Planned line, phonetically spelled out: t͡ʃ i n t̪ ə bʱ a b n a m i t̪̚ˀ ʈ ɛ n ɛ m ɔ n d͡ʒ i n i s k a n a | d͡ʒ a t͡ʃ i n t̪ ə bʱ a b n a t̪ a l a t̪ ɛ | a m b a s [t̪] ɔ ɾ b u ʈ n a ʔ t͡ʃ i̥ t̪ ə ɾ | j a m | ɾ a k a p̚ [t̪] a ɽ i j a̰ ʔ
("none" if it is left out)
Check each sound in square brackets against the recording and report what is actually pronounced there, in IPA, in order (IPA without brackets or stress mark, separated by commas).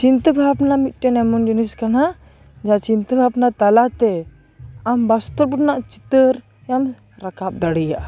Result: t̪, d̪